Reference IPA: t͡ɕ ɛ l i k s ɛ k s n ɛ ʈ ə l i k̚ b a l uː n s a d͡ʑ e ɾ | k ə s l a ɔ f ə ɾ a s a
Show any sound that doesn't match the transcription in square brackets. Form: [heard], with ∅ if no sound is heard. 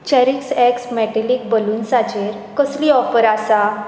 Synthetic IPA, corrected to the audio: t͡ɕ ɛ [ɾ] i k s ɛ k s [m] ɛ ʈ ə l i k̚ b [ə] l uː n s a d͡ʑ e ɾ | k ə s l [i] ɔ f ə ɾ a s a